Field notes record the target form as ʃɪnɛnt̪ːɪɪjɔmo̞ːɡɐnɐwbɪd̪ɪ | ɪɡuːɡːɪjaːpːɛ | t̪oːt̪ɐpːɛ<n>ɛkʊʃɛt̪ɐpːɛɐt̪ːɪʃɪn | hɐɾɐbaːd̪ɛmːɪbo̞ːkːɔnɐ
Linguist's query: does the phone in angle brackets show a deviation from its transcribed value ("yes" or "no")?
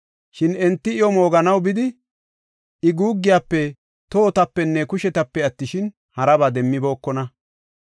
yes